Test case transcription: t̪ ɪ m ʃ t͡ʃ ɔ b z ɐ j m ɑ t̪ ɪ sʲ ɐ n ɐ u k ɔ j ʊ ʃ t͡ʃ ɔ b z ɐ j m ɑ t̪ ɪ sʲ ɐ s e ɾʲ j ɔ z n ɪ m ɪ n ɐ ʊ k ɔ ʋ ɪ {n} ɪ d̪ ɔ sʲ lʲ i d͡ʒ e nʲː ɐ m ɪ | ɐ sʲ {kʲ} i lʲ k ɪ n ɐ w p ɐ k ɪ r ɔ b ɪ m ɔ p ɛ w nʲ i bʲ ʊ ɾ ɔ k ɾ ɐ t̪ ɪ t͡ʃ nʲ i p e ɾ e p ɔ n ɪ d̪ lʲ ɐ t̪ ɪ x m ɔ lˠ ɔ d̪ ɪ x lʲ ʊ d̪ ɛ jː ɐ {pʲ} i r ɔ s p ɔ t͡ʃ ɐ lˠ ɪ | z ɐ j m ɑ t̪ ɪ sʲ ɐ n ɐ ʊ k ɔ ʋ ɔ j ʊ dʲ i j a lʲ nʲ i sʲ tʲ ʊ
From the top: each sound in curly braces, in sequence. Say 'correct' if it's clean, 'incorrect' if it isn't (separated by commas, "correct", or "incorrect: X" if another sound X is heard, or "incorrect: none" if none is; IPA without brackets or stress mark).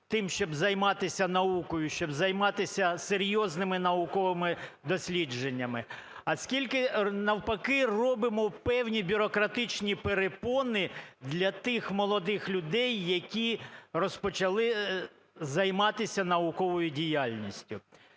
incorrect: m, correct, incorrect: kʲ